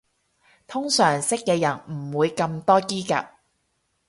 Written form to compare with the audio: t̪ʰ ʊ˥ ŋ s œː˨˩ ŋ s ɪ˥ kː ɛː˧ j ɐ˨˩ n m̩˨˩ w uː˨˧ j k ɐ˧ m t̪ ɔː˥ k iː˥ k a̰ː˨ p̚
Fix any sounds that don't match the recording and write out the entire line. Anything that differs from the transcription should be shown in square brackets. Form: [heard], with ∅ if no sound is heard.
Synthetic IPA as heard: t̪ʰ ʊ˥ ŋ s œː˨˩ ŋ s ɪ˥ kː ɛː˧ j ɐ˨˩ n m̩˨˩ w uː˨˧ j k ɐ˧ m t̪ ɔː˥ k iː˥ k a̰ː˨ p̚